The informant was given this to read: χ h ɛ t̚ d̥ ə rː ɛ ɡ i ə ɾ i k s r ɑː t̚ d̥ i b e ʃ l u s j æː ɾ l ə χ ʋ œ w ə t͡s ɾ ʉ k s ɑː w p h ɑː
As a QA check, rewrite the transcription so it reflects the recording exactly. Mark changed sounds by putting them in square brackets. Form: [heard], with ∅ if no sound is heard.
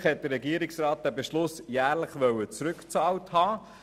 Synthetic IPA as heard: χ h ɛ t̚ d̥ ə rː ɛ ɡ i ə ɾ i k s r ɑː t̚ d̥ [æ] b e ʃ l [ʊ] s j æː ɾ l ə χ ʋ œ w ə t͡s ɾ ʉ k [t͡s] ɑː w [t] h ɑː